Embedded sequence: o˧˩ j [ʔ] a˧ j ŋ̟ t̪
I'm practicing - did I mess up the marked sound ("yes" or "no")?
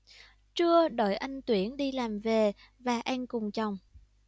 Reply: no